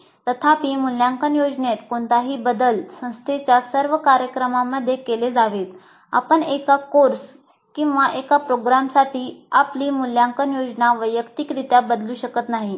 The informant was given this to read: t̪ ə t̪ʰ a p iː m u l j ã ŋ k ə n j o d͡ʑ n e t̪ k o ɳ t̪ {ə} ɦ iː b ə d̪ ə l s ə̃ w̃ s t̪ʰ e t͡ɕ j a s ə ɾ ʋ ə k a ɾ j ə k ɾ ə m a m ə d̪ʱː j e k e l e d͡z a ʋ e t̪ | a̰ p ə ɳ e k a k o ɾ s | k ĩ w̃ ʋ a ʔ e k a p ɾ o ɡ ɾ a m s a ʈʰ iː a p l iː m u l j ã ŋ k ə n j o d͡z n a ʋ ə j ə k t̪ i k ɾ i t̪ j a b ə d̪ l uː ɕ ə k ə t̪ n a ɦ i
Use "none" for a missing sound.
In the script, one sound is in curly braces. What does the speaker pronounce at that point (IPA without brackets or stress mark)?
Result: a